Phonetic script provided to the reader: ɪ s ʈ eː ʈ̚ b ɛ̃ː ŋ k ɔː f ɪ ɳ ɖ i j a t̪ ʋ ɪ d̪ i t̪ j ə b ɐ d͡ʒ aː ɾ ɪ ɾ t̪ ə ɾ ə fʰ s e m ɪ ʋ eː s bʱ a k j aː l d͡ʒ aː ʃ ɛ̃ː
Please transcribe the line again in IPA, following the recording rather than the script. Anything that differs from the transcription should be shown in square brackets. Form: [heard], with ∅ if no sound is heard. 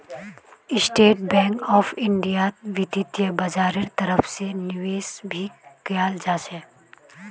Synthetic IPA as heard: ɪ s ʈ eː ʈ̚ b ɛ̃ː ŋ k ɔː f ɪ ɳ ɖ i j a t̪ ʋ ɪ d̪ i t̪ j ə b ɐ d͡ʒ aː ɾ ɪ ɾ t̪ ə ɾ ə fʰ s e [n] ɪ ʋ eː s bʱ [i] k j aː l d͡ʒ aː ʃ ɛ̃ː

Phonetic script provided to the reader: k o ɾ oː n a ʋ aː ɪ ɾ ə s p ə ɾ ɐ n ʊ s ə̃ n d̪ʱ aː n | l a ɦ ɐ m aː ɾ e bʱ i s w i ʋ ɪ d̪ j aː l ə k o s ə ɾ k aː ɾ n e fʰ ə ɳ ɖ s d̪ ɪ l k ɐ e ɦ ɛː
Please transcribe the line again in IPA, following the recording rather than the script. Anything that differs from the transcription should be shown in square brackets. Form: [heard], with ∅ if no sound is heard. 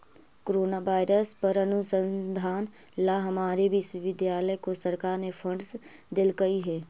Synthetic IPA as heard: k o ɾ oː n a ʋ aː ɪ ɾ ə s p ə ɾ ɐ n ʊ s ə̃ n d̪ʱ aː n | l a ɦ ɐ m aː ɾ e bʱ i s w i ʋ ɪ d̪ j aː l ə k o s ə ɾ k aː ɾ n e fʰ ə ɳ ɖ s d̪ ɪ l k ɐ [i] ɦ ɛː

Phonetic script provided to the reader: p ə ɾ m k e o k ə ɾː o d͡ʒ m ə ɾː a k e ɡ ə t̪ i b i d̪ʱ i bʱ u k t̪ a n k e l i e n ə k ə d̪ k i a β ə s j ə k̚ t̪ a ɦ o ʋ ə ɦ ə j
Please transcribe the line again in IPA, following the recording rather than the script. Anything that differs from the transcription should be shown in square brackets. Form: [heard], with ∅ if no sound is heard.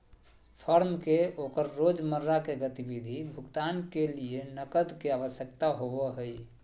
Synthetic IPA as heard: [pʰ] ə ɾ m k e o k ə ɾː o d͡ʒ m ə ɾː a k e ɡ ə t̪ i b i d̪ʱ i bʱ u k t̪ a n k e l i e n ə k ə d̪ k [e] a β ə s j ə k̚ t̪ a ɦ o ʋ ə ɦ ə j

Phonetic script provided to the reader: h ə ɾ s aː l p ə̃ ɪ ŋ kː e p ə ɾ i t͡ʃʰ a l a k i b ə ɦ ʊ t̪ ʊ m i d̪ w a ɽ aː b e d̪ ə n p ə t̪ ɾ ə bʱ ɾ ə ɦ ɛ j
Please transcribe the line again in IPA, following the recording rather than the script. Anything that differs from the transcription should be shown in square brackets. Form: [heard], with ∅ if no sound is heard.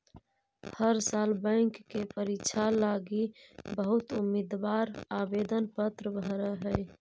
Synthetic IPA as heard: h ə ɾ s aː l [b] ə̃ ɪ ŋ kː e p ə ɾ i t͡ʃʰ a l a [ɡ] i b ə ɦ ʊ t̪ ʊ m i d̪ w a [ɾ] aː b e d̪ ə n p ə t̪ ɾ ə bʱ ɾ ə ɦ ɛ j

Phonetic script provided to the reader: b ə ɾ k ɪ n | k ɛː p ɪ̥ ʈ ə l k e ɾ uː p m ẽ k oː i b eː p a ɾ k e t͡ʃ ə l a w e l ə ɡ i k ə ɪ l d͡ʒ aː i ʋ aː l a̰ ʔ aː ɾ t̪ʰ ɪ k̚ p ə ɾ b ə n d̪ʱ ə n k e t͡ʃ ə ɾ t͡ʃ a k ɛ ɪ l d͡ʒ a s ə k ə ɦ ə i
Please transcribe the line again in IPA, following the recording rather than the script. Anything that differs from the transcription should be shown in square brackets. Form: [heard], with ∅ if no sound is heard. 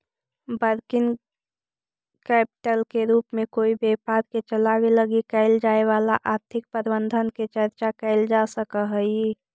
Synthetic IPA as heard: b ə ɾ k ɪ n | k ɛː p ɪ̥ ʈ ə l k e ɾ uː p m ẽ k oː i b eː p a ɾ k e t͡ʃ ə l a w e l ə ɡ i k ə ɪ l d͡ʒ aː [e] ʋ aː l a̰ ʔ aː ɾ t̪ʰ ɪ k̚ p ə ɾ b ə n d̪ʱ ə n k e t͡ʃ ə ɾ t͡ʃ a k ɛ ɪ l d͡ʒ a s ə k ə ɦ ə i

